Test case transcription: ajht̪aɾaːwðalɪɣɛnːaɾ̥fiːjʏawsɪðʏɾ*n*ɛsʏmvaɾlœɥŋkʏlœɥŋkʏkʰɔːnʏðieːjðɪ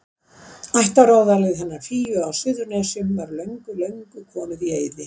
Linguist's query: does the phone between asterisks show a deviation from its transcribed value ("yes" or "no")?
no